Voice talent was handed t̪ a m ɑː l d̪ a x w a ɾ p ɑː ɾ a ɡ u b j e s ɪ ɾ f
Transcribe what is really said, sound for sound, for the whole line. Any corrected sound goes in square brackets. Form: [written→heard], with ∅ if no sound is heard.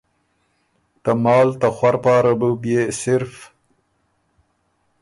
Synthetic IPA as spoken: t̪ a m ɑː l [d̪→t̪] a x w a ɾ p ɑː ɾ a [ɡ→b] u b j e s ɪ ɾ f